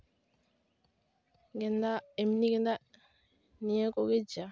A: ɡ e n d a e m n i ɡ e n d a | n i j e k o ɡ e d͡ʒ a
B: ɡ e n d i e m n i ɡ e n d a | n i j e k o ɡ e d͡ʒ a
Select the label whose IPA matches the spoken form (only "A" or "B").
A